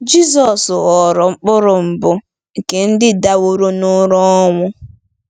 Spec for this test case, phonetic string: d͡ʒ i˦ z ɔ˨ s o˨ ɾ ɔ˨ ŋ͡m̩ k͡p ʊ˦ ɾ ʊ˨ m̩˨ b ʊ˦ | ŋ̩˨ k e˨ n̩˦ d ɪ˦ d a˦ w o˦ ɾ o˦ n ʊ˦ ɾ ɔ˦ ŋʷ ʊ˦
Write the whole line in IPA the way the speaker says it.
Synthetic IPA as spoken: d͡ʒ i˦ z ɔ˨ s ɔ˨ ɾ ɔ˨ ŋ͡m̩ k͡p ʊ˦ ɾ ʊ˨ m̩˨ b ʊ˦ | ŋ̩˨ k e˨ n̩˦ d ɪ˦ d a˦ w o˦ ɾ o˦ n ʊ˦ ɾ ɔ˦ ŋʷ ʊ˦